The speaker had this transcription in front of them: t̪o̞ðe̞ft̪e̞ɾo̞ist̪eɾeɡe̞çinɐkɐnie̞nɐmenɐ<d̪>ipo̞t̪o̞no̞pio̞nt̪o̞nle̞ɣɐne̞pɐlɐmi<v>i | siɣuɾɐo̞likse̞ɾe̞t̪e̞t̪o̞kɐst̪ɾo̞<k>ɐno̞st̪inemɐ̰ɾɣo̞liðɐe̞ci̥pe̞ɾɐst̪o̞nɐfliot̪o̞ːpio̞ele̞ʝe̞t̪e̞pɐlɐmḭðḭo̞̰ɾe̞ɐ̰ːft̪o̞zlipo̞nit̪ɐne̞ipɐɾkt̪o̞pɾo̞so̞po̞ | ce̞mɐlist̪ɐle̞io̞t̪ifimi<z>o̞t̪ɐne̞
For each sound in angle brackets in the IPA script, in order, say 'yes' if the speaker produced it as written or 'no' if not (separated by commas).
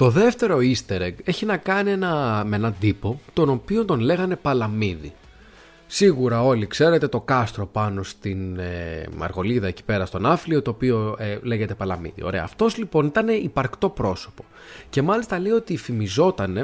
yes, no, no, yes